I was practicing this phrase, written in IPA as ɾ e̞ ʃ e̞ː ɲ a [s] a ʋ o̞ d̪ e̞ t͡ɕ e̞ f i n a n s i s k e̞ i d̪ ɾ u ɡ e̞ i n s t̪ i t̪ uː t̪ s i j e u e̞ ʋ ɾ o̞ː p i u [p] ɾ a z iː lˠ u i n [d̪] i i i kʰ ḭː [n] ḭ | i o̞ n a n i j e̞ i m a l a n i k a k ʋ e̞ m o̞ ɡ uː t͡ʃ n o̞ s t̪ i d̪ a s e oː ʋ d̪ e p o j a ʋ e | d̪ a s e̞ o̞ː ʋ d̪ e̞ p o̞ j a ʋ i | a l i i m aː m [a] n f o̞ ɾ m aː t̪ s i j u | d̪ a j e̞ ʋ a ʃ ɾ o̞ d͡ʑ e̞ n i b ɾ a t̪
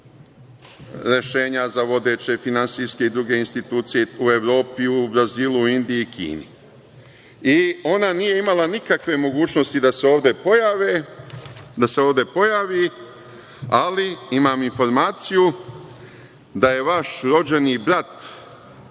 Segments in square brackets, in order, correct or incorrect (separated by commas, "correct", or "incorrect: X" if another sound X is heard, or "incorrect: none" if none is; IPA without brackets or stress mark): incorrect: z, incorrect: b, correct, correct, incorrect: i